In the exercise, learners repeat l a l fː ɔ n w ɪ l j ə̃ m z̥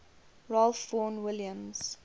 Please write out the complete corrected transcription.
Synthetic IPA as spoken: ɹ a l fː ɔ n w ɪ l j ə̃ m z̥